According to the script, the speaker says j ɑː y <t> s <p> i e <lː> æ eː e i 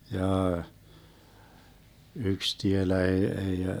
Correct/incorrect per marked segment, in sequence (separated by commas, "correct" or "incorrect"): incorrect, incorrect, incorrect